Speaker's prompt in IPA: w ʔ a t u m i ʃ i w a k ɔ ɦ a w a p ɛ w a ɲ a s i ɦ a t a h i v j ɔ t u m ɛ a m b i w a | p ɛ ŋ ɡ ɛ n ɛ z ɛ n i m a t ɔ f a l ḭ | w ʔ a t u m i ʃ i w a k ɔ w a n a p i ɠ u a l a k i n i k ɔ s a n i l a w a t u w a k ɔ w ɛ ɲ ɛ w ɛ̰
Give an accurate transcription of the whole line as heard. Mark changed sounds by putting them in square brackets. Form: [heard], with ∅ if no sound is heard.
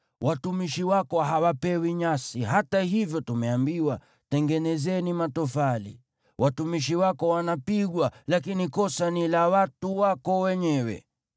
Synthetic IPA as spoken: w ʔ a t u m i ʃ i w a k ɔ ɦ a w a p ɛ w [i] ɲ a s i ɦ a t a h i v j ɔ t u m ɛ a m b i w a | [t] ɛ ŋ ɡ ɛ n ɛ z ɛ n i m a t ɔ f a l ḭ | w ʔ a t u m i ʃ i w a k ɔ w a n a p i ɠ [w] a l a k i n i k ɔ s a n i l a w a t u w a k ɔ w ɛ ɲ ɛ w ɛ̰

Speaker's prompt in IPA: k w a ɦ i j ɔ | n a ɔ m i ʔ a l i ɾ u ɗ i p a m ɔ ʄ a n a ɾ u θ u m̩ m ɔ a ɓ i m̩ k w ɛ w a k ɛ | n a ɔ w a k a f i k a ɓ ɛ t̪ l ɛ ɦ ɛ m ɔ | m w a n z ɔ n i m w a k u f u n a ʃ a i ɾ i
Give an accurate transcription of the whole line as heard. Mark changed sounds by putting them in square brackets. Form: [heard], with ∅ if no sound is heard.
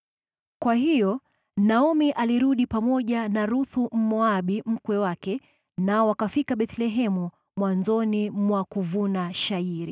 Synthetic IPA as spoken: k w a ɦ i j ɔ | n a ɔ m i ʔ a l i ɾ u ɗ i p a m ɔ ʄ a n a ɾ u θ u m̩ m ɔ a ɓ i m̩ k w ɛ w a k ɛ | n a ɔ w a k a f i k a ɓ ɛ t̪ l ɛ ɦ ɛ m [u] | m w a n z ɔ n i m w a k u [v] u n a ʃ a i ɾ i

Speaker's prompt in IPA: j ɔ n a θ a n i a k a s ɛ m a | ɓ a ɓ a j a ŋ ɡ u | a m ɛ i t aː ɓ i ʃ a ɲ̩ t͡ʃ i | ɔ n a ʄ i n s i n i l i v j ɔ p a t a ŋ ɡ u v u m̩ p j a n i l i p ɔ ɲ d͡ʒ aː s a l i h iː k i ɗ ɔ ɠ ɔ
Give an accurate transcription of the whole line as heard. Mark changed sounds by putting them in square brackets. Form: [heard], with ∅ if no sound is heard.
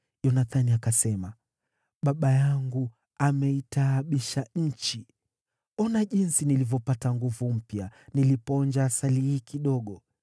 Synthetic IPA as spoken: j ɔ n a θ a n i a k a s ɛ m a | ɓ a ɓ a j a ŋ ɡ u | a m ɛ i t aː ɓ i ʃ a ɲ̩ t͡ʃ i | ɔ n a ʄ i n s i n i l i v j ɔ p a t a ŋ ɡ u v u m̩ p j a n i l i p ɔ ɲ d͡ʒ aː s a l i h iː k i ɗ ɔ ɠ ɔ

